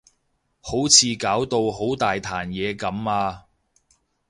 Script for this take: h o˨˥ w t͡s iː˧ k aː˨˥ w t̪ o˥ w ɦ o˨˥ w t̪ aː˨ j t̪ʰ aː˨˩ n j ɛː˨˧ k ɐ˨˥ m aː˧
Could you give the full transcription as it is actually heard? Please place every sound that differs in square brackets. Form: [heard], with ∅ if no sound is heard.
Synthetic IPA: h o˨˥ w [t͡sʰ] iː˧ k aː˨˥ w t̪ [o˧] w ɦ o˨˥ w t̪ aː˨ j t̪ʰ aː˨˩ n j ɛː˨˧ k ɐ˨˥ m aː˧